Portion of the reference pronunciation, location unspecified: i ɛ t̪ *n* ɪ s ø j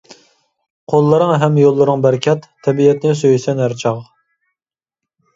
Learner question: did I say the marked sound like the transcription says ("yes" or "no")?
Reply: yes